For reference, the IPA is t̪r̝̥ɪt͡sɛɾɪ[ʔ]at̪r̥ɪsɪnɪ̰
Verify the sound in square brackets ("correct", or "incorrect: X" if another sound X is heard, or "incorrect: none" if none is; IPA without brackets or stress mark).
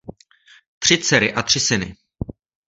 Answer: correct